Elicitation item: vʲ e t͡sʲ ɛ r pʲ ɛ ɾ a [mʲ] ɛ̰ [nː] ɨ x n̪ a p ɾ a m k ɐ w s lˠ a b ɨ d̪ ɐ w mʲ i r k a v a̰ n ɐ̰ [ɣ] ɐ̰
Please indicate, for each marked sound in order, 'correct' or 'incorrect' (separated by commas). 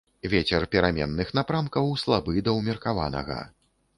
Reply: correct, correct, correct